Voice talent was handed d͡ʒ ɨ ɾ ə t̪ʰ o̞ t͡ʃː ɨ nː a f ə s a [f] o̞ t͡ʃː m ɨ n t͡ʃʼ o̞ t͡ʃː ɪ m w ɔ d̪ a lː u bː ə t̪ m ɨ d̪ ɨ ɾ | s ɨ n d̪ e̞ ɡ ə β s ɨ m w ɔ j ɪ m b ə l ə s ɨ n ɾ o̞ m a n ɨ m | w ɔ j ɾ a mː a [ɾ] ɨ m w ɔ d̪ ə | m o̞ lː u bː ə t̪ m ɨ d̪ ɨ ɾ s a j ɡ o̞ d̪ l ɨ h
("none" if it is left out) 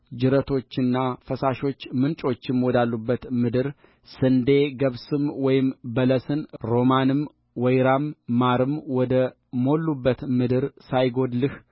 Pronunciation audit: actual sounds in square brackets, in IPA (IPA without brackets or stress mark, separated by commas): ʃ, ɾ